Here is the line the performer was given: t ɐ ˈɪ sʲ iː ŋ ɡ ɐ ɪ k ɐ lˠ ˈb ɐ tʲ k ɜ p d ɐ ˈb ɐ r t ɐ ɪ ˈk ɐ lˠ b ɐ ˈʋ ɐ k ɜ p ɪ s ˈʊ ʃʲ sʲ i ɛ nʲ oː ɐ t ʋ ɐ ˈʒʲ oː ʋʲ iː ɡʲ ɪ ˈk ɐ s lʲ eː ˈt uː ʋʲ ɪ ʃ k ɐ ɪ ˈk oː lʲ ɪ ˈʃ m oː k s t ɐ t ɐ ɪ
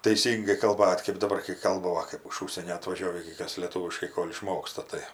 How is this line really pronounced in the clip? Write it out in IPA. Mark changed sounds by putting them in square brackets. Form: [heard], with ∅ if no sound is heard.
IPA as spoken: t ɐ ˈɪ sʲ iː ŋ ɡ ɐ ɪ k ɐ lˠ ˈb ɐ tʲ k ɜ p d ɐ ˈb ɐ r [k] ɐ ɪ ˈk ɐ lˠ b ɐ ˈʋ ɐ k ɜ p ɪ [ʃ] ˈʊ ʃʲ sʲ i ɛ nʲ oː ɐ t ʋ ɐ ˈʒʲ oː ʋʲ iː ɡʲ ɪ ˈk ɐ s lʲ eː ˈt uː ʋʲ ɪ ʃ k ɐ ɪ ˈk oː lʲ ɪ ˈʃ m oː k s t ɐ t ɐ ɪ